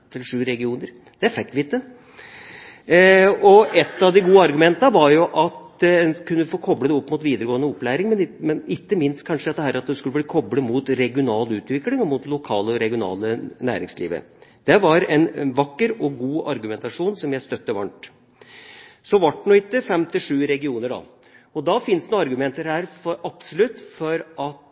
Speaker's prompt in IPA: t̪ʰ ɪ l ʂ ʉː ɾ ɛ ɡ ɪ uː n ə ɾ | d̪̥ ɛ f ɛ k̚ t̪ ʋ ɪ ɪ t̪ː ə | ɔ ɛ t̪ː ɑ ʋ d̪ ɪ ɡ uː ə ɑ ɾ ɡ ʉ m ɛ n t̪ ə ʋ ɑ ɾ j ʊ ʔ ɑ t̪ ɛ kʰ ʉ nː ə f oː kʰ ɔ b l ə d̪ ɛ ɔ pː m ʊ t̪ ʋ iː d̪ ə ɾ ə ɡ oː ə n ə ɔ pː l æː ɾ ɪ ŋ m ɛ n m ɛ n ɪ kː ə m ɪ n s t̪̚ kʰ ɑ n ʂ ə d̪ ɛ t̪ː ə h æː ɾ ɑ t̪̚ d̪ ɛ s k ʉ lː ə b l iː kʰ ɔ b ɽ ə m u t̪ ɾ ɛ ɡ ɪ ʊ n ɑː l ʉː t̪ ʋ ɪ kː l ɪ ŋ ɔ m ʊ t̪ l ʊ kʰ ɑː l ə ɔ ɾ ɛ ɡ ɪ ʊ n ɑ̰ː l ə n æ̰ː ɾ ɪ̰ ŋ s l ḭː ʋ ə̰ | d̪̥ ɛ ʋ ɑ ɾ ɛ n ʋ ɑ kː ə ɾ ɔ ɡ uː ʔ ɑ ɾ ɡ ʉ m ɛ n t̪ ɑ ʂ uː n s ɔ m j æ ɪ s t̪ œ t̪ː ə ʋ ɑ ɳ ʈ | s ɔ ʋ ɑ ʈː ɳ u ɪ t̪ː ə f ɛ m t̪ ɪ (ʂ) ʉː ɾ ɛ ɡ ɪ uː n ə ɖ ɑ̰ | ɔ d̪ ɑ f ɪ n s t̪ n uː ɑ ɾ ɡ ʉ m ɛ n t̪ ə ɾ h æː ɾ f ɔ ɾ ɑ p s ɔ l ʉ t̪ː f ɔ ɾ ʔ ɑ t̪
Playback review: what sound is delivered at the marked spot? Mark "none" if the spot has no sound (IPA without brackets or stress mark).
ʂ